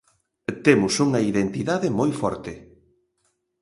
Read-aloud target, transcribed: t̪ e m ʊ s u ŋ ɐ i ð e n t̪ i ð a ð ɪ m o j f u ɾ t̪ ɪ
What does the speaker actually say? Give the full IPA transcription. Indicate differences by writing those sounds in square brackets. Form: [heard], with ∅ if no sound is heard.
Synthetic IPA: t̪ e m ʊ s u ŋ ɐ i ð e n t̪ i ð a ð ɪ m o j f [ɔ] ɾ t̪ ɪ